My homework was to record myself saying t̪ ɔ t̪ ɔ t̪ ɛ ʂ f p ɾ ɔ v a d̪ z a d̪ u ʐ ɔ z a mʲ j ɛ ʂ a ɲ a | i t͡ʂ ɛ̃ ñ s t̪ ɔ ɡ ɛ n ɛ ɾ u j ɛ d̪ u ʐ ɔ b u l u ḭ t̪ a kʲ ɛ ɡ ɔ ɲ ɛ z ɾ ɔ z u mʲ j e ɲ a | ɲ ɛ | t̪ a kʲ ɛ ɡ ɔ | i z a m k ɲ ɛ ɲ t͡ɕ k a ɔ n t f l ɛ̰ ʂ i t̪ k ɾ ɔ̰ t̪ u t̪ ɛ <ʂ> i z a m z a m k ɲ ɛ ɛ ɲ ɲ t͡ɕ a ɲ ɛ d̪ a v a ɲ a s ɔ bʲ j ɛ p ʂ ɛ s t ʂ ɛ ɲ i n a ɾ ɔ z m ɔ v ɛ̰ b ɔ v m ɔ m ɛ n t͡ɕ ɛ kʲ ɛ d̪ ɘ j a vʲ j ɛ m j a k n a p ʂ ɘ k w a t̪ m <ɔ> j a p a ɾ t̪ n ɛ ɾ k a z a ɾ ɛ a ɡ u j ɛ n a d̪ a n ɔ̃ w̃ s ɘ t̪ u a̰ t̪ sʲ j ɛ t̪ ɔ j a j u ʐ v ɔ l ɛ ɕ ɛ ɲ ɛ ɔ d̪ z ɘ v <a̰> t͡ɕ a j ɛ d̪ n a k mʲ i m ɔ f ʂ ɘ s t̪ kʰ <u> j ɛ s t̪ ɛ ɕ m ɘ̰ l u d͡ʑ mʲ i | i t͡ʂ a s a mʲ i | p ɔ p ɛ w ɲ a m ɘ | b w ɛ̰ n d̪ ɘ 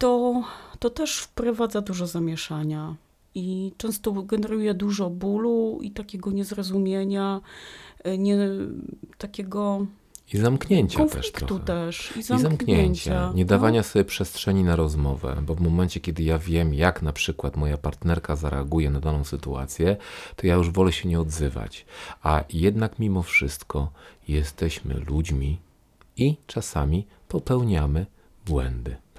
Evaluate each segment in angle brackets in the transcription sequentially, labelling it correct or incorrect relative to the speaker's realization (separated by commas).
correct, correct, correct, incorrect